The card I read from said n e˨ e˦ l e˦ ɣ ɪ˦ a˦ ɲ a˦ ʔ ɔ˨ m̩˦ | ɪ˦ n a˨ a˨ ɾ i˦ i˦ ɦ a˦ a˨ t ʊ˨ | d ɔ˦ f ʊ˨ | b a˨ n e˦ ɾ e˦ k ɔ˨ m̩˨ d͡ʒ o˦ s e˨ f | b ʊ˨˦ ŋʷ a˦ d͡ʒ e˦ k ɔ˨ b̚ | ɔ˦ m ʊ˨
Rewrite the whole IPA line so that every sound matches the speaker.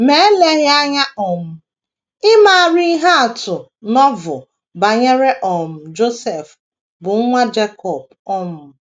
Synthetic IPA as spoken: m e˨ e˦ l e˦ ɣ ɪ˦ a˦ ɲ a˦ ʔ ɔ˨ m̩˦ | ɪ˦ m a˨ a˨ ɾ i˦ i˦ ɦ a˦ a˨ t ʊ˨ | n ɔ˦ v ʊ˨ | b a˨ ɲ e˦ ɾ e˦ ʔ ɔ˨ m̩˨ d͡ʒ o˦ s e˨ f | b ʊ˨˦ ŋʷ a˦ d͡ʒ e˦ k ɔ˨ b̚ | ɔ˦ m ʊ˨